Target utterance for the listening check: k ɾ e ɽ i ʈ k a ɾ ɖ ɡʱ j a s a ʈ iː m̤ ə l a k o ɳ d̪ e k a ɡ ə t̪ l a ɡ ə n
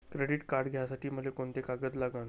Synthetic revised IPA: k ɾ e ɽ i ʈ k a ɾ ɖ ɡʱ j a s a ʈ iː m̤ ə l e k o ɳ t̪ e k a ɡ ə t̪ l a ɡ ə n